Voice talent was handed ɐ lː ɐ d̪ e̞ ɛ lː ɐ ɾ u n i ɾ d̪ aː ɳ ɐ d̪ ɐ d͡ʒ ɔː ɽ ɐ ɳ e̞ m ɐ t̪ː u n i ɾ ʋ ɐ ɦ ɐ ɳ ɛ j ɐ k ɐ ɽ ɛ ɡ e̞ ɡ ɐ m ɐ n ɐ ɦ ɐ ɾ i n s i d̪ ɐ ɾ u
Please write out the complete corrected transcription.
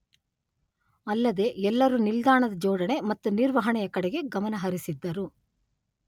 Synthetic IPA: ɐ lː ɐ d̪ e̞ ɛ lː ɐ ɾ u n i l d̪ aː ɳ ɐ d̪ ɐ d͡ʒ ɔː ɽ ɐ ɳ e̞ m ɐ t̪ː u n i ɾ ʋ ɐ ɦ ɐ ɳ ɛ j ɐ k ɐ ɽ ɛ ɡ e̞ ɡ ɐ m ɐ n ɐ ɦ ɐ ɾ i s i d̪ː ɐ ɾ u

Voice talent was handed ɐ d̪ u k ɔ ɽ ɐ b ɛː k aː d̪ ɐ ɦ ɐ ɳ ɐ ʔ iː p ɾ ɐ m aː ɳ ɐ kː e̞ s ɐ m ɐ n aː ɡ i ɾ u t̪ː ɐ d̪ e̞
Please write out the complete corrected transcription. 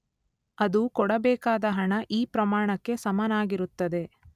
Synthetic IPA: ɐ d̪ u k ɔ ɽ ɐ b ɛː k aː d̪ ɐ ɦ ɐ ɳ ɐ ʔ iː p ɾ ɐ m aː ɳ ɐ kː e̞ s ɐ m ɐ n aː ɡ i ɾ u t̪ː ɐ d̪ e̞

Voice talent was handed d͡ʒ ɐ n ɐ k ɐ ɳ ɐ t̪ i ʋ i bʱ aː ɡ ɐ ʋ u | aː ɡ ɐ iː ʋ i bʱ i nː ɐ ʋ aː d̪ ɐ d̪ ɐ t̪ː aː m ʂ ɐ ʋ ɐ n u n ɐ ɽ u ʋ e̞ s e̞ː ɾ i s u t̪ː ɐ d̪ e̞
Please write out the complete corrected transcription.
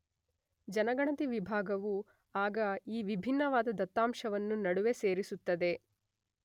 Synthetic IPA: d͡ʒ ɐ n ɐ ɡ ɐ ɳ ɐ t̪ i ʋ i bʱ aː ɡ ɐ ʋ u | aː ɡ ɐ iː ʋ i bʱ i nː ɐ ʋ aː d̪ ɐ d̪ ɐ t̪ː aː m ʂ ɐ ʋ ɐ nː u n ɐ ɽ u ʋ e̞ s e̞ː ɾ i s u t̪ː ɐ d̪ e̞

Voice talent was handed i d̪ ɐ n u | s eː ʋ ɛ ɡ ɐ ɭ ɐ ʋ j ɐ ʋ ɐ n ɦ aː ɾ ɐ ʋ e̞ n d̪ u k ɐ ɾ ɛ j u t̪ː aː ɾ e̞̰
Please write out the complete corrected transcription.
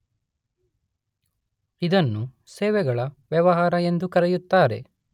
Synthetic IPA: i d̪ ɐ nː u | s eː ʋ ɛ ɡ ɐ ɭ ɐ ʋ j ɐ ʋ ɐ ɦ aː ɾ ɐ e̞ n d̪ u k ɐ ɾ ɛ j u t̪ː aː ɾ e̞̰

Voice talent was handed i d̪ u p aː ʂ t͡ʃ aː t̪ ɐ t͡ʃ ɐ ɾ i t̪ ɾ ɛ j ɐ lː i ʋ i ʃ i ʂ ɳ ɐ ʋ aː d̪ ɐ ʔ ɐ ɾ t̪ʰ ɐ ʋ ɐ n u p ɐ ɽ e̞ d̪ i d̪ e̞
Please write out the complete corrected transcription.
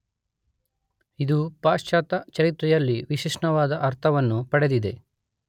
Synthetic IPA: i d̪ u p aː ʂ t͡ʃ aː t̪ ɐ t͡ʃ ɐ ɾ i t̪ ɾ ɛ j ɐ lː i ʋ i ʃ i ʂ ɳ ɐ ʋ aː d̪ ɐ ʔ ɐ ɾ t̪ʰ ɐ ʋ ɐ nː u p ɐ ɽ e̞ d̪ i d̪ e̞

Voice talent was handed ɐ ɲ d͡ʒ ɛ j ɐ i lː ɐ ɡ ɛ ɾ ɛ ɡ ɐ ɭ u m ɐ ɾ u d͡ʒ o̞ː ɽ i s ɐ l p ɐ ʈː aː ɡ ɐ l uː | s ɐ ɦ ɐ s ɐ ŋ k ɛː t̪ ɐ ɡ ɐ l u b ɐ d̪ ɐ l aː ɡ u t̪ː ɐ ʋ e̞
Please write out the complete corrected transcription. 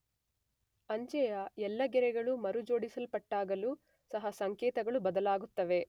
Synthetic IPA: ɐ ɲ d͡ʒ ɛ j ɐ ɛ lː ɐ ɡ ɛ ɾ ɛ ɡ ɐ ɭ u m ɐ ɾ u d͡ʒ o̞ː ɽ i s ɐ l p ɐ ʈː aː ɡ ɐ l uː | s ɐ ɦ ɐ s ɐ ŋ k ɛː t̪ ɐ ɡ ɐ ɭ u b ɐ d̪ ɐ l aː ɡ u t̪ː ɐ ʋ e̞

